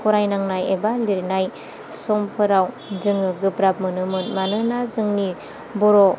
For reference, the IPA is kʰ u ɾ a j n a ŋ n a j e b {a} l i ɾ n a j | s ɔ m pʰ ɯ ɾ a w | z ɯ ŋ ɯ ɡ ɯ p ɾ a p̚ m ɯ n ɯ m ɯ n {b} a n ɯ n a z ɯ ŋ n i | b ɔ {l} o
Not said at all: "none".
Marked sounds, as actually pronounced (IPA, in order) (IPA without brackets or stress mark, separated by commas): a, m, ɾ